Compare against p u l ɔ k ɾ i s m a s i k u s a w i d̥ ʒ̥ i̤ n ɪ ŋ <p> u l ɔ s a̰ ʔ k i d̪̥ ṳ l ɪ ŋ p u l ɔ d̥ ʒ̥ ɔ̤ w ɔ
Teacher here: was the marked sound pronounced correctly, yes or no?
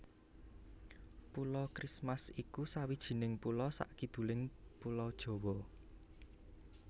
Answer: yes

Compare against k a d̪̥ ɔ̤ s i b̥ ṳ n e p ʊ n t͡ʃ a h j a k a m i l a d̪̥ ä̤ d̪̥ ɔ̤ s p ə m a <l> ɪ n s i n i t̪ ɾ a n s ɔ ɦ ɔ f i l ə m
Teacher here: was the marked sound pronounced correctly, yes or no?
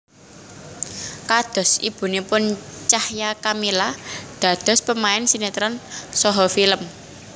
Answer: no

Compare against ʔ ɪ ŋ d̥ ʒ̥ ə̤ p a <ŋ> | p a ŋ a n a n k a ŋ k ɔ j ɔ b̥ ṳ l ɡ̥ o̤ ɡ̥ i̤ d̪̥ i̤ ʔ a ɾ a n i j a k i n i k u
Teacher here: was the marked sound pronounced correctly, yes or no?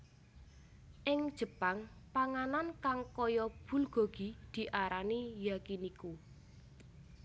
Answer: yes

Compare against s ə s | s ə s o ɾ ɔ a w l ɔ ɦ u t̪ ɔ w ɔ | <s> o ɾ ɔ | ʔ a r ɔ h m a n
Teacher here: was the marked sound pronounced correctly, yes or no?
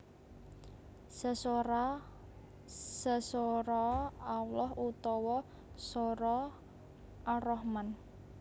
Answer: yes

